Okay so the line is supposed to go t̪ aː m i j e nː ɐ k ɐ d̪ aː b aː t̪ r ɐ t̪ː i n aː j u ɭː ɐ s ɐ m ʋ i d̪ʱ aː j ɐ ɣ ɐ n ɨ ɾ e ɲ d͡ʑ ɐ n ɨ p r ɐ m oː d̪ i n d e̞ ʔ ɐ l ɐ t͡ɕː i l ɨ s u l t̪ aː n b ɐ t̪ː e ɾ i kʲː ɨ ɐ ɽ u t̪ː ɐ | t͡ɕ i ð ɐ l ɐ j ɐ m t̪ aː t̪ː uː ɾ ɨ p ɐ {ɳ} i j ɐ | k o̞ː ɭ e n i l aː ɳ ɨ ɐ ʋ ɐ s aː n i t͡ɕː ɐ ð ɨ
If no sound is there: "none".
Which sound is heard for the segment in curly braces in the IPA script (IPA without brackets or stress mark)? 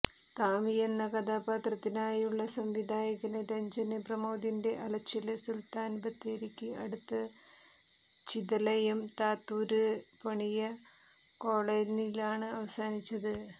ɳ